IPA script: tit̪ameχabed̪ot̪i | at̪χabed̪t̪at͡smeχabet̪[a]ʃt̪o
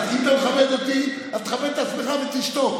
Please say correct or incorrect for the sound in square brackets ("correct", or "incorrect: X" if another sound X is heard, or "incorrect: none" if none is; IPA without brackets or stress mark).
incorrect: i